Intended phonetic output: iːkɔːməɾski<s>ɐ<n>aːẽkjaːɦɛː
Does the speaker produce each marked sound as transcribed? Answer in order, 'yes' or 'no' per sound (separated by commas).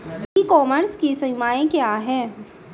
yes, no